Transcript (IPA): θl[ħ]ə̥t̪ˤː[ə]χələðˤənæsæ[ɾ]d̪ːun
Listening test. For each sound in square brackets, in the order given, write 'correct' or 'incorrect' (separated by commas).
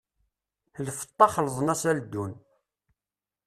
incorrect, incorrect, incorrect